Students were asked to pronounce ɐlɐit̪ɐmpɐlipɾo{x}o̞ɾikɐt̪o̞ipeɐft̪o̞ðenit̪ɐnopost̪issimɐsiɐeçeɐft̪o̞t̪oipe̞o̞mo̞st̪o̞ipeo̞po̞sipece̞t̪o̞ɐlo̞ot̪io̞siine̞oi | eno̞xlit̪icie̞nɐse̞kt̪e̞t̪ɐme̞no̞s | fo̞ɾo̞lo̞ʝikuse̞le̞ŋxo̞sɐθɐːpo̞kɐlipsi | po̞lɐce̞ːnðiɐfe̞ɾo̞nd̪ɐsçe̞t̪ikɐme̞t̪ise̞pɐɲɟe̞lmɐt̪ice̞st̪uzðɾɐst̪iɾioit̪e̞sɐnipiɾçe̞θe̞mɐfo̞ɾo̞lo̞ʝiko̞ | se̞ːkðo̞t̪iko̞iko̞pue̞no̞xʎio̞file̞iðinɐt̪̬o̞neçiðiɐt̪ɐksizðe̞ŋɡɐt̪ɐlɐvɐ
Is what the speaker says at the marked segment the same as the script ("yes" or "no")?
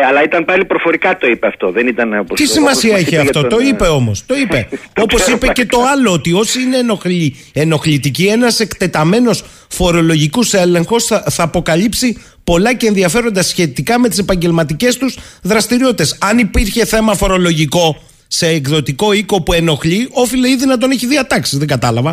no